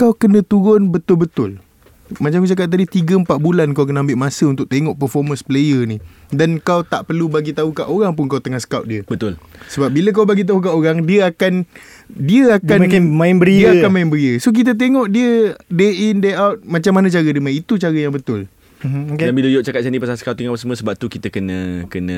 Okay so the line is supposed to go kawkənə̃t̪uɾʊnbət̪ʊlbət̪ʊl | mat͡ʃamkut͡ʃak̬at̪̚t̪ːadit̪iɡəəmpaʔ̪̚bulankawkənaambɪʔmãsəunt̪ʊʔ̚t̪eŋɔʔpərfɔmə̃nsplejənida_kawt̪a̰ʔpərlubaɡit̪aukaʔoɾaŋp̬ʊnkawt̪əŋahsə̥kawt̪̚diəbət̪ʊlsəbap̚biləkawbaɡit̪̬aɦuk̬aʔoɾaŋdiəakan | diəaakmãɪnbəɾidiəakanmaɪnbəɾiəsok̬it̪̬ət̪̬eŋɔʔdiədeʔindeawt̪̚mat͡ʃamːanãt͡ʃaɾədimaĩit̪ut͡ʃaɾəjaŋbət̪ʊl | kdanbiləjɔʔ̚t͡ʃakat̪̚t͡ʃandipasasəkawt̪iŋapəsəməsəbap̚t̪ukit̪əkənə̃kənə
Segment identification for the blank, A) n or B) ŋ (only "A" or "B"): A